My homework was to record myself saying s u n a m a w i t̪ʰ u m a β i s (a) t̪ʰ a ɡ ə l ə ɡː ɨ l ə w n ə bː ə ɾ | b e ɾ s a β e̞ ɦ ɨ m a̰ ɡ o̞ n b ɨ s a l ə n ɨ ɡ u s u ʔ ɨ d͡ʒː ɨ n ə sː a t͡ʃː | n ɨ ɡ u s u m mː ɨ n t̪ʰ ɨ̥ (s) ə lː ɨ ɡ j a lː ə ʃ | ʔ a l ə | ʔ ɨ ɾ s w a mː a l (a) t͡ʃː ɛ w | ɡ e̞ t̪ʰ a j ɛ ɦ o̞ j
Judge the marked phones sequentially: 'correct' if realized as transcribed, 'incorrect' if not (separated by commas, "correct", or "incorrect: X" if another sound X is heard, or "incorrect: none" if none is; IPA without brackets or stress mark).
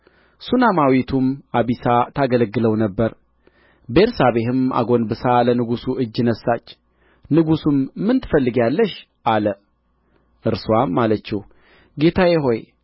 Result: correct, incorrect: f, incorrect: ə